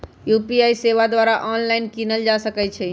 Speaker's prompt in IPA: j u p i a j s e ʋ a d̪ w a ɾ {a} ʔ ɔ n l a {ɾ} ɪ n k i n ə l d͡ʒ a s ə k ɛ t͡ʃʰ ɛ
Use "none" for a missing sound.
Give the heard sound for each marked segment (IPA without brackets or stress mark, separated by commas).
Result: a, none